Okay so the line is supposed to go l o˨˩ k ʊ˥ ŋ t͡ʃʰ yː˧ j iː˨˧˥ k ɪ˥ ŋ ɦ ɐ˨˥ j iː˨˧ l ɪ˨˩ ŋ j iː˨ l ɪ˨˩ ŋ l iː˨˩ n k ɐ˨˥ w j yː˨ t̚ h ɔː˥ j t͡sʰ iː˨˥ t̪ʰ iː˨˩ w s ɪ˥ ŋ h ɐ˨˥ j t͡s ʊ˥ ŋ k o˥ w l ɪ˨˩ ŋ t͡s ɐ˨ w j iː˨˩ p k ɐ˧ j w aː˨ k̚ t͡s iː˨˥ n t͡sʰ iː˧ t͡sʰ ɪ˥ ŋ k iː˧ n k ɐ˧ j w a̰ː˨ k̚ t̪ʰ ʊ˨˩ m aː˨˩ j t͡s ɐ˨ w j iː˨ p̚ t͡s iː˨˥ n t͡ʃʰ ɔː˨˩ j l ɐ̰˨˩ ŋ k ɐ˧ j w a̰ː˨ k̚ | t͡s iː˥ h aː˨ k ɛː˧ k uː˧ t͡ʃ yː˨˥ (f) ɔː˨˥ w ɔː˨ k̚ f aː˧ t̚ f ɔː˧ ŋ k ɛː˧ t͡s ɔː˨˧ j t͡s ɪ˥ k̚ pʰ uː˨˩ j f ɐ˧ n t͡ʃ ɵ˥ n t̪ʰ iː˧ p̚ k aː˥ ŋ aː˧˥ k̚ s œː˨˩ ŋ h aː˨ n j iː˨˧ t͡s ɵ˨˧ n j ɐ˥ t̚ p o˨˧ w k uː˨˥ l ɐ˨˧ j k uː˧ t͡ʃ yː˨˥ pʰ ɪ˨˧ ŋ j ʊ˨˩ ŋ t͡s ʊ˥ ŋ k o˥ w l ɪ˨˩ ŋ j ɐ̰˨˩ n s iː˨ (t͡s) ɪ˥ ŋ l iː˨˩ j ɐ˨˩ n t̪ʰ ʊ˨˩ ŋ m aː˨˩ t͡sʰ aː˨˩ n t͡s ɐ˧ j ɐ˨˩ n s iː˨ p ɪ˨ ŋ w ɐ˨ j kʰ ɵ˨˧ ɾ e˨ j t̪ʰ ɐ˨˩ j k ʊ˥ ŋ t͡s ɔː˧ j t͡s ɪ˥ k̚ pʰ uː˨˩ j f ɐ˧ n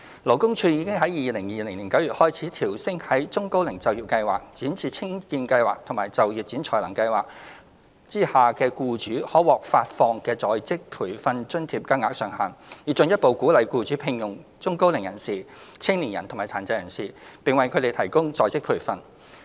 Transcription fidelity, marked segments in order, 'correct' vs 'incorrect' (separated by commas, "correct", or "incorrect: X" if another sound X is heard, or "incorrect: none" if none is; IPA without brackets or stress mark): incorrect: h, incorrect: t͡sʰ